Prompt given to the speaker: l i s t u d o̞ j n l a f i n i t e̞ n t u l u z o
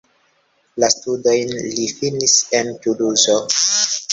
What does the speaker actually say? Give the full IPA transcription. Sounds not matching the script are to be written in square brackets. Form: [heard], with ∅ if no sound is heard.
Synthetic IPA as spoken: l [a] s t u d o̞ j n l [i] f i n i [s] e̞ n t u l u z o